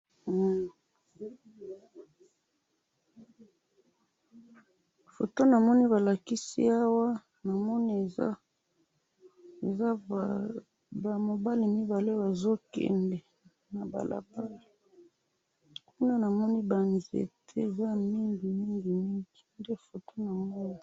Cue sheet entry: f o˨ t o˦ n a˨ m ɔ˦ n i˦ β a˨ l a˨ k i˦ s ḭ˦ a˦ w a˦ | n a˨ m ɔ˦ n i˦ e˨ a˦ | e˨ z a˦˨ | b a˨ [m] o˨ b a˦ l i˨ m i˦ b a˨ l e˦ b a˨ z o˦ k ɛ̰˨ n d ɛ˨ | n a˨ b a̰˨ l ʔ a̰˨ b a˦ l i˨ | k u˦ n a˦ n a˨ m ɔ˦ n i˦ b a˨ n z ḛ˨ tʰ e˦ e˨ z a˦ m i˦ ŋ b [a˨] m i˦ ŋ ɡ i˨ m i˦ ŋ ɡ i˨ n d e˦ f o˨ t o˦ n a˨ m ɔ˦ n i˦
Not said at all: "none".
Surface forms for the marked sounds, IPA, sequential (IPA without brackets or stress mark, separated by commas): m, i˨